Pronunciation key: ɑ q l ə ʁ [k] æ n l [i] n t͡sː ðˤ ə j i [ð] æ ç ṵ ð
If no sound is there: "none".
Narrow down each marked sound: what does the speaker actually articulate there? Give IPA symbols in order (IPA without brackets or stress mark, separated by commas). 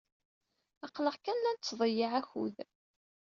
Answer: k, æ, ʕ